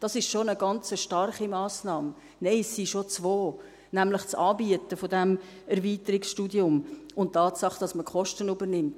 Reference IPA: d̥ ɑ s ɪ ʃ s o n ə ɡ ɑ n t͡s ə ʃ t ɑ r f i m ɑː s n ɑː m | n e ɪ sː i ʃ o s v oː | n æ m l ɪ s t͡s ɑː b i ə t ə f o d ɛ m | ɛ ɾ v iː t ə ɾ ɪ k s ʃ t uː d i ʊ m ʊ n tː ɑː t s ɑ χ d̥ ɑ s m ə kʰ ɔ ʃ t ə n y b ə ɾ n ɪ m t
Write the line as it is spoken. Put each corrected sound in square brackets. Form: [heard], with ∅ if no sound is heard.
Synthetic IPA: d̥ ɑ s ɪ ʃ [ʃ] o n ə ɡ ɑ n t͡s ə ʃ t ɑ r [χ] i m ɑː s n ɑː m | n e ɪ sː i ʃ o [t͡s] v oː | n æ m l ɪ [χ] t͡s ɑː b i ə t ə f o d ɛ m | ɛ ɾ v iː t ə ɾ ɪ k s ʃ t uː d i ʊ m ʊ n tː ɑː t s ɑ χ d̥ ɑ s m ə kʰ ɔ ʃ t ə n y b ə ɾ n ɪ m t